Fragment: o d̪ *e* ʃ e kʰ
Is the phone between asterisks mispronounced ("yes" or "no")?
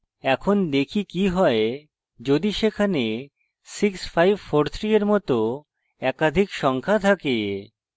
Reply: yes